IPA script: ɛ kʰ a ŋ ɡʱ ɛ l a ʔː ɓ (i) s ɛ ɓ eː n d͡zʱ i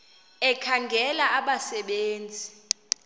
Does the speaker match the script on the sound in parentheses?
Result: no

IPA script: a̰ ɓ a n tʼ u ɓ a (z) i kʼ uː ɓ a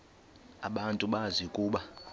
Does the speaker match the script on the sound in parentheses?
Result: yes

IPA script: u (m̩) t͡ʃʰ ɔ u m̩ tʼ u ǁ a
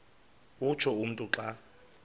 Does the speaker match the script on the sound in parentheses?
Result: no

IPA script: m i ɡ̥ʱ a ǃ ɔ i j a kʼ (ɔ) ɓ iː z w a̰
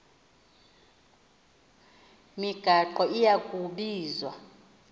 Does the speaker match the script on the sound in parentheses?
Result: no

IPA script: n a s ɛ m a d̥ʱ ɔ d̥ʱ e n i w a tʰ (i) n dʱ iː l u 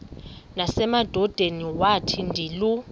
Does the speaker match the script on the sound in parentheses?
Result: yes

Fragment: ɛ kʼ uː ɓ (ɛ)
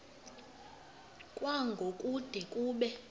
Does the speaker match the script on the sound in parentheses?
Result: yes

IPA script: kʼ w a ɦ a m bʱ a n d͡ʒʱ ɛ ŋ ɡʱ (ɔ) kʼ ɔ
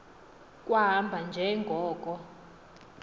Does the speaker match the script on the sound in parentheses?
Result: no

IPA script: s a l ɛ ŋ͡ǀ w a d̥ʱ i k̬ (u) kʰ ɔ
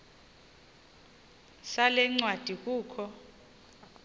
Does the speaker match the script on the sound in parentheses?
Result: no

